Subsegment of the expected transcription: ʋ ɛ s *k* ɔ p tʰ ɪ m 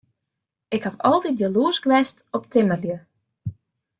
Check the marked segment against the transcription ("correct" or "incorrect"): incorrect